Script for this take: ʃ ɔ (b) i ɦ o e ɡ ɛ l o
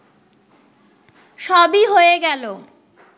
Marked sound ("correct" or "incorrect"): correct